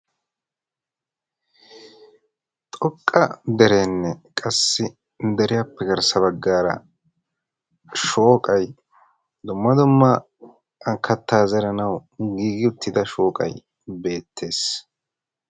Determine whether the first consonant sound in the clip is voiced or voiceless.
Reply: voiceless